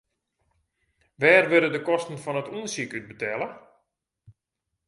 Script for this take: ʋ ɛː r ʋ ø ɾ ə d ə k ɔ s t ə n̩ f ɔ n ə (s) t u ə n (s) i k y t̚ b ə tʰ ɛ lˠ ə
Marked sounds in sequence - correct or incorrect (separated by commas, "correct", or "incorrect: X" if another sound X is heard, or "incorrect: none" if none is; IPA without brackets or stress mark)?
incorrect: none, correct